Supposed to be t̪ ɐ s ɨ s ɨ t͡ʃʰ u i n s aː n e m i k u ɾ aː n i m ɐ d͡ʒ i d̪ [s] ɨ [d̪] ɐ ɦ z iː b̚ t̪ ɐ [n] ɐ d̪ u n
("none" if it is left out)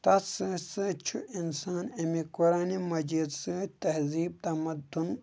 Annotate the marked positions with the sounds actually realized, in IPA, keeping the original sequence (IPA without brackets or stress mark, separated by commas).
s, t̪, m